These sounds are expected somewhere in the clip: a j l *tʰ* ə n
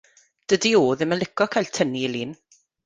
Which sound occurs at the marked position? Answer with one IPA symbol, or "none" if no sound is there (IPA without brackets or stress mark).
tʰ